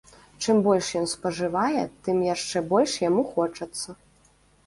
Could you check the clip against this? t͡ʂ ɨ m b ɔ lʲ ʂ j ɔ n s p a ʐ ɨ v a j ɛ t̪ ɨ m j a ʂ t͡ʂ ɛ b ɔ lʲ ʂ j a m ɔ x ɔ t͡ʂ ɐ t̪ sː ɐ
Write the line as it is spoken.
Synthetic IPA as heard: t͡ʂ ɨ m b ɔ lʲ ʂ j ɔ n s p ɐ ʐ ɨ v a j ɛ t̪ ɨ m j a ʂ t͡ʂ ɛ b ɔ lʲ ʂ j a m u x ɔ t͡ʂ ɐ t̪ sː ɐ